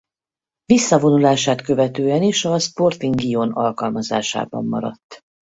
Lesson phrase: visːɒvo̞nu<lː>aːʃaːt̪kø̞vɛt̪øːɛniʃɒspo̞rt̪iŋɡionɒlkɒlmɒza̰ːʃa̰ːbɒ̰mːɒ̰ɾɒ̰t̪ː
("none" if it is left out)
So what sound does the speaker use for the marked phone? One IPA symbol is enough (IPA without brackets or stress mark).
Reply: l